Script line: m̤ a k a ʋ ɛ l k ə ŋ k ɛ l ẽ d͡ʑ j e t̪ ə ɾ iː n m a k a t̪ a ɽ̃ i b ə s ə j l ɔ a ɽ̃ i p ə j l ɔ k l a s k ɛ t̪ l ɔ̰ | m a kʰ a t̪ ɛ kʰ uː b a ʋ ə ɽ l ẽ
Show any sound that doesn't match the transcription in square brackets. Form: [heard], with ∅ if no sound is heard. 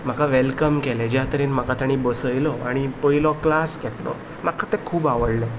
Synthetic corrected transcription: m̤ a k a ʋ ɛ l k ə [m] k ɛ l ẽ d͡ʑ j [a] t̪ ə ɾ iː n m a k a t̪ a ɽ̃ i b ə s ə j l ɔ a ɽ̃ i p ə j l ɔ k l a s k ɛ t̪ l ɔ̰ | m a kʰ a t̪ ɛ kʰ uː b a ʋ ə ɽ l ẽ